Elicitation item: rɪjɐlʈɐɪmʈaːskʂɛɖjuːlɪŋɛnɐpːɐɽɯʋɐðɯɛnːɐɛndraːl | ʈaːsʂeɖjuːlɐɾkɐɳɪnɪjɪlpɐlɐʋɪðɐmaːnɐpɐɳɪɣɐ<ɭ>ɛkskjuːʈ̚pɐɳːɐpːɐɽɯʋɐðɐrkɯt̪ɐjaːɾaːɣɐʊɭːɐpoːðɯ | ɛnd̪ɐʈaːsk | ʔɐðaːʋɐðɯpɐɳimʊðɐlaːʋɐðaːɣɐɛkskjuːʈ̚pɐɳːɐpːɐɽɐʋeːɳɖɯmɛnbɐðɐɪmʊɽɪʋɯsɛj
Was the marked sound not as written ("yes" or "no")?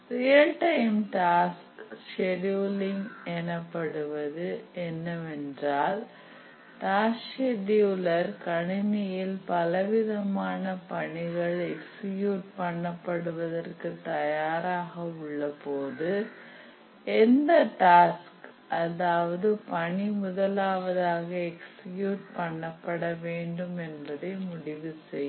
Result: no